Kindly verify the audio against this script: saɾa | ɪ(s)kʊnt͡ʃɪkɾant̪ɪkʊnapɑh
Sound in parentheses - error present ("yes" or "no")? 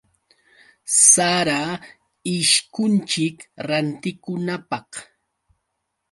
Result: yes